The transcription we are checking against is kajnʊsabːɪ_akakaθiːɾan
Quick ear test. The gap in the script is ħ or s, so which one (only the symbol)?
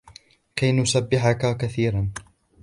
ħ